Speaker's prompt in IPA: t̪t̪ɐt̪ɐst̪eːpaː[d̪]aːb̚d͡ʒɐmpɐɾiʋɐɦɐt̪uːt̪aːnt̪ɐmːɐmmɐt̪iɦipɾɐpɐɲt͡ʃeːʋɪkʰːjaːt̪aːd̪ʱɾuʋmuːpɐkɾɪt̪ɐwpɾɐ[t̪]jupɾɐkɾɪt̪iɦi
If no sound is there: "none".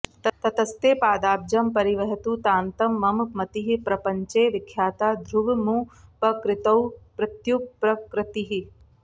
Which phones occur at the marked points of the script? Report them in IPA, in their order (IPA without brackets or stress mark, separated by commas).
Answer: d̪, t̪